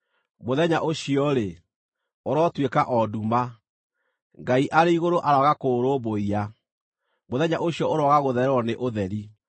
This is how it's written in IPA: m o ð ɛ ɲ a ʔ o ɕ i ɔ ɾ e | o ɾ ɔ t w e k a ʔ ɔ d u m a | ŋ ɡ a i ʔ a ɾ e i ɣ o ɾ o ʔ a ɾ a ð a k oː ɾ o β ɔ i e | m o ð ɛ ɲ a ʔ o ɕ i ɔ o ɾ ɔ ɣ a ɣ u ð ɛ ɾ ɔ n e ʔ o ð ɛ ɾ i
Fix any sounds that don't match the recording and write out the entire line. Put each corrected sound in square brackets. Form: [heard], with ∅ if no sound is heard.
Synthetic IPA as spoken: m o ð ɛ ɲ a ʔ o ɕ i ɔ ɾ e | o ɾ ɔ t w e k a ʔ ɔ d u m a | ŋ ɡ a i ʔ a ɾ e i ɣ o ɾ o ʔ a ɾ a [ɣ] a k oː ɾ o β [o] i [a] | m o ð ɛ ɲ a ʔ o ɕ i ɔ o ɾ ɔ ɣ a ɣ [o] ð ɛ ɾ ɔ n e ʔ o ð ɛ ɾ i